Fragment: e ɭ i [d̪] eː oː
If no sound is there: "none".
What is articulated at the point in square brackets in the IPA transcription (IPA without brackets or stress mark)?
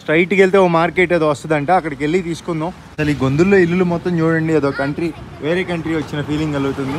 t̪